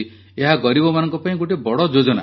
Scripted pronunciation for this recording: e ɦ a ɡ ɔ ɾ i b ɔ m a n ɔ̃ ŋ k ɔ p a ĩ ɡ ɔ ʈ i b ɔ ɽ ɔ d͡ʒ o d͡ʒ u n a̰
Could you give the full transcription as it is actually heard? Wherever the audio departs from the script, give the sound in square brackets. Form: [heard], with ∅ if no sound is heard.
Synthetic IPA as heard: e ɦ a ɡ ɔ ɾ i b ɔ m a n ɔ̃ ŋ k ɔ p a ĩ ɡ [o] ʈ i b ɔ ɽ ɔ d͡ʒ o d͡ʒ [ɔ] n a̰

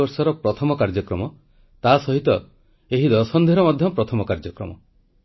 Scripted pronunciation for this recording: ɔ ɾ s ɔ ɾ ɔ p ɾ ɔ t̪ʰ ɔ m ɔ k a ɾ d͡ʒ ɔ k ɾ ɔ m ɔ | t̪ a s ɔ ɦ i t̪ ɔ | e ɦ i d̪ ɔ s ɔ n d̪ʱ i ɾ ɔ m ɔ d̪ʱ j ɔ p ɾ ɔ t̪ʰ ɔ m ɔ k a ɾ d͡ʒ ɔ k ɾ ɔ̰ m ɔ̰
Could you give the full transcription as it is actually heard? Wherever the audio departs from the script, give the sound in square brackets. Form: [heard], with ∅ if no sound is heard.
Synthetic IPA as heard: ɔ ɾ s ɔ ɾ ɔ p ɾ ɔ t̪ʰ ɔ m ɔ k a ɾ d͡ʒ ɔ k ɾ ɔ m ɔ | t̪ a s ɔ ɦ i t̪ ɔ | e ɦ i d̪ ɔ s ɔ n d̪ʱ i ɾ ɔ m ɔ d̪ʱ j ɔ p ɾ ɔ t̪ʰ ɔ m ɔ k a ɾ d͡ʒ ɔ k ɾ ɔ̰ m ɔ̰

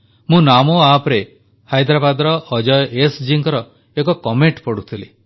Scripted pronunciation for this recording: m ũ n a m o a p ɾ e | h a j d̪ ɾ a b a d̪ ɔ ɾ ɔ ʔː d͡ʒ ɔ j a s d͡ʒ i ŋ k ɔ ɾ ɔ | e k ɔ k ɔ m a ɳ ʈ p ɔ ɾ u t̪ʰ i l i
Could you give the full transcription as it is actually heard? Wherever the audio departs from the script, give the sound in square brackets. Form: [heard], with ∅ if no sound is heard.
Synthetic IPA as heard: m ũ n a m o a p ɾ e | h a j d̪ ɾ a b a d̪ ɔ ɾ ɔ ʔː d͡ʒ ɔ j [e] s d͡ʒ i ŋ k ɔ ɾ ɔ | e k ɔ k ɔ m [e] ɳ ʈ p ɔ [ɽ] u t̪ʰ i l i

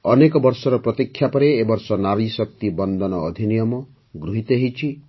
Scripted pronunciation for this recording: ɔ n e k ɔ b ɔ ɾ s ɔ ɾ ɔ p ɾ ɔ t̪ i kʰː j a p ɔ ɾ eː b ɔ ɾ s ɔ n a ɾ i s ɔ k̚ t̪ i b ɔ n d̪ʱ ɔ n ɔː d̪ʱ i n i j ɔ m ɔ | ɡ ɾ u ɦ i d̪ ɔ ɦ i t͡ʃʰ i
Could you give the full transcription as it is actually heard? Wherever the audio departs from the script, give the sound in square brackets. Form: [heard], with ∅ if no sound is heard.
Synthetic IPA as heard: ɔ n e k ɔ b ɔ ɾ s ɔ ɾ ɔ p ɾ ɔ t̪ i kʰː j a p ɔ ɾ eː b ɔ ɾ s ɔ n a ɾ i s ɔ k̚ t̪ i b ɔ n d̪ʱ ɔ n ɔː d̪ʱ i n i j ɔ m ɔ | ɡ ɾ u ɦ i [t̪] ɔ ɦ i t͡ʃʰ i

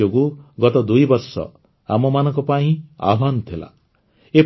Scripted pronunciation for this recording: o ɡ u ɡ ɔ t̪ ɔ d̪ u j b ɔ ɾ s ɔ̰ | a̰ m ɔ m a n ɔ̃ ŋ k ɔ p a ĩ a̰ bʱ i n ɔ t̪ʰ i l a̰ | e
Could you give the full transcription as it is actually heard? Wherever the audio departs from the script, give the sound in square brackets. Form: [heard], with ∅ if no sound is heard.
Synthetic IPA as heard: o ɡ u ɡ ɔ t̪ ɔ d̪ u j b ɔ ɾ s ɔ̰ | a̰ m ɔ m a n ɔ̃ ŋ k ɔ p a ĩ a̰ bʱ [a] n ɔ t̪ʰ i l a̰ | e

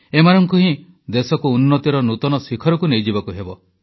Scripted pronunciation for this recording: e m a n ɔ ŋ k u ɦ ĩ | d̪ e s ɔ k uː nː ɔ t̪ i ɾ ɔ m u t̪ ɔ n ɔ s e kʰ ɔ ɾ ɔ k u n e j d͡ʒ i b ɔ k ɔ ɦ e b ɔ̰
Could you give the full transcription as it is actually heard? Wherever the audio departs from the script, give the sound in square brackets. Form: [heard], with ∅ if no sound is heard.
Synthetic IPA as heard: e m a n ɔ ŋ k u ɦ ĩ | d̪ e s ɔ k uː nː ɔ t̪ i ɾ ɔ [n] u t̪ ɔ n ɔ s [i] kʰ ɔ ɾ ɔ k u n e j d͡ʒ i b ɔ k [u] ɦ e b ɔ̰

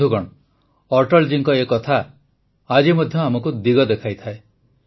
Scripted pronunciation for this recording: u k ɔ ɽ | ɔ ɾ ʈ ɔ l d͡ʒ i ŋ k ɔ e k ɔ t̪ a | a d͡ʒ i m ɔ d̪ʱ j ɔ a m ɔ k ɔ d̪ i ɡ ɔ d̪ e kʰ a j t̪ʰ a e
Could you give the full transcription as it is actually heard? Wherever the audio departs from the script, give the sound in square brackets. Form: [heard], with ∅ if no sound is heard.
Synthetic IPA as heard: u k ɔ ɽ | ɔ ɾ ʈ ɔ l d͡ʒ i ŋ k ɔ e k ɔ [t̪ʰ] a | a d͡ʒ i m ɔ d̪ʱ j ɔ a m ɔ k [u] d̪ i ɡ ɔ d̪ e kʰ a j t̪ʰ a e

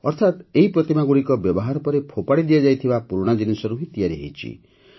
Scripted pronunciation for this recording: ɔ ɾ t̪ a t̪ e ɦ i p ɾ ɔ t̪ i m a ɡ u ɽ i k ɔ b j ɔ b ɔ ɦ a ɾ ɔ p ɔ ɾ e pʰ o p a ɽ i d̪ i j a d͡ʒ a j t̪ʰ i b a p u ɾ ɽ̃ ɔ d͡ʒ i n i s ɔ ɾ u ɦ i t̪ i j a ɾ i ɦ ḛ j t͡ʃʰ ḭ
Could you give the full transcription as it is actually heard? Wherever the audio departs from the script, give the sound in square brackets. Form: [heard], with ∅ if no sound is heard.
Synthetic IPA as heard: ɔ ɾ [t̪ʰ] a t̪ e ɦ i p ɾ ɔ t̪ i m a ɡ u ɽ i k ɔ b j ɔ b ɔ ɦ a ɾ ɔ p ɔ ɾ e pʰ o p a ɽ i d̪ i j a d͡ʒ a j t̪ʰ i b a p u ɾ ɽ̃ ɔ d͡ʒ i n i s ɔ ɾ u ɦ i t̪ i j a ɾ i ɦ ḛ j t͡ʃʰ ḭ

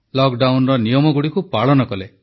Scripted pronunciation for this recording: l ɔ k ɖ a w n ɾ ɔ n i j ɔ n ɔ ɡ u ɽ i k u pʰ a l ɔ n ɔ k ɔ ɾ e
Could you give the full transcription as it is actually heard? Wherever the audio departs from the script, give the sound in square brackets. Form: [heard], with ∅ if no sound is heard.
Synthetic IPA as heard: l ɔ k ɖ a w n ɾ ɔ n i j ɔ [m] ɔ ɡ u ɽ i k u [p] a [ɭ] ɔ n ɔ k ɔ [l] e

